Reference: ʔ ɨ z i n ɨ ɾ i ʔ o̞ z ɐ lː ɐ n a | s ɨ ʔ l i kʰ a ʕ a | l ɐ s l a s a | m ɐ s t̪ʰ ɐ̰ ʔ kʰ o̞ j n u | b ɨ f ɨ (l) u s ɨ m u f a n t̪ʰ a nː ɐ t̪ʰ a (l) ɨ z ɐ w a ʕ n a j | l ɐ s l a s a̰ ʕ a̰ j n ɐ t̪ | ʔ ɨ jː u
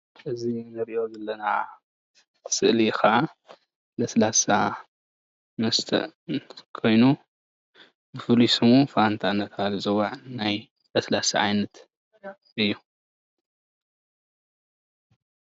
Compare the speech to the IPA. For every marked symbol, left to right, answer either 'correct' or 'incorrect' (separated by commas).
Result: correct, correct